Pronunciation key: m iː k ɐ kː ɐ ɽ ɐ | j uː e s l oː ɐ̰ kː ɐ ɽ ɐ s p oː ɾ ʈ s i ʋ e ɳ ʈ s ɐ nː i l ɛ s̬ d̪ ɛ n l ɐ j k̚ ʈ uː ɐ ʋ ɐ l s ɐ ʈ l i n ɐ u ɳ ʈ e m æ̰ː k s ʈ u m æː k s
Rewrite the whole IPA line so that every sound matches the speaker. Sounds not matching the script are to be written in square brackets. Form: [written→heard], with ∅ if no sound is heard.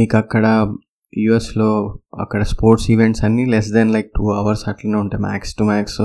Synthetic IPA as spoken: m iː k ɐ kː ɐ ɽ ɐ | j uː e s l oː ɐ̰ kː ɐ ɽ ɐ s p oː ɾ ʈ s i ʋ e ɳ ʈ s ɐ nː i l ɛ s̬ d̪ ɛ n l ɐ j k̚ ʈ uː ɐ ʋ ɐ [l→ɾ] s ɐ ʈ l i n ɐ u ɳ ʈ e m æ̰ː k s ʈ u m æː k s